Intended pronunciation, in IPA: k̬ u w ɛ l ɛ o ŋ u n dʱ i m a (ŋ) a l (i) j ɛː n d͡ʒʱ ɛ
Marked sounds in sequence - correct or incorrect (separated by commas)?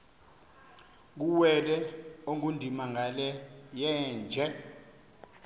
correct, incorrect